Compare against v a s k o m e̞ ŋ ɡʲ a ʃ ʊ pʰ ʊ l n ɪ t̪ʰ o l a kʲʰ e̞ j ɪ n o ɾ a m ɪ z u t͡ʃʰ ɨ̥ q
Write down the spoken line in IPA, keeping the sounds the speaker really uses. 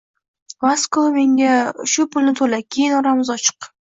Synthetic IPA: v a s k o m e̞ ŋ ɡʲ a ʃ ʊ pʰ ʊ l n ɪ t̪ʰ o l a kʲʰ e̞ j ɪ n ɒ ɾ a m ɪ z ɒ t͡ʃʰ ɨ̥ q